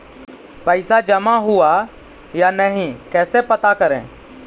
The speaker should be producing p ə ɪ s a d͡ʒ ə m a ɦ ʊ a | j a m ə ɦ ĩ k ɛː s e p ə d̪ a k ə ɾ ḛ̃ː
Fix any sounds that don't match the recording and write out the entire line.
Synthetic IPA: p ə ɪ s a d͡ʒ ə m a ɦ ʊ a | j a n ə ɦ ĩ k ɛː s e p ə t̪ a k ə ɾ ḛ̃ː

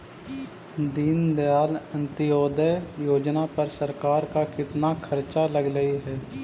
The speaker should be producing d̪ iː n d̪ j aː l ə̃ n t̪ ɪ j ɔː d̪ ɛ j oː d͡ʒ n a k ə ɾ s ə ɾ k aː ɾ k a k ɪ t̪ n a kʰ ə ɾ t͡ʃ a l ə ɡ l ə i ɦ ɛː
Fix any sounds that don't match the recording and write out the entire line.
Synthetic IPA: d̪ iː n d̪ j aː l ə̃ n t̪ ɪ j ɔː d̪ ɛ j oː d͡ʒ n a p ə ɾ s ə ɾ k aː ɾ k a k ɪ t̪ n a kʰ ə ɾ t͡ʃ a l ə ɡ l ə i ɦ ɛː

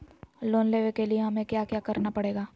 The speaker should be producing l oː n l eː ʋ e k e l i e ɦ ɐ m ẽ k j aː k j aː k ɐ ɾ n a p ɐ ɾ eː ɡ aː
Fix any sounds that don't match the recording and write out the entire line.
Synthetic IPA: l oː n l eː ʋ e k e l i e ɦ ɐ m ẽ k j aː k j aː k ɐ ɾ n a p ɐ ɽ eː ɡ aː

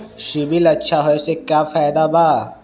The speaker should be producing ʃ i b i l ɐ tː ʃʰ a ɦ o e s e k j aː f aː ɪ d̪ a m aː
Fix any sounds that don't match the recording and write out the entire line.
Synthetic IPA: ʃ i b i l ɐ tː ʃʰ a ɦ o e s e k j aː f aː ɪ d̪ a b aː

